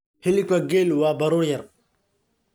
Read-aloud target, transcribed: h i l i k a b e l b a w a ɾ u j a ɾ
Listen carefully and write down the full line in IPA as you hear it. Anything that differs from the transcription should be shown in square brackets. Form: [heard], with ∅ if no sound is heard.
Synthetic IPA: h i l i k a [ɡ] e l [w] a [b] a ɾ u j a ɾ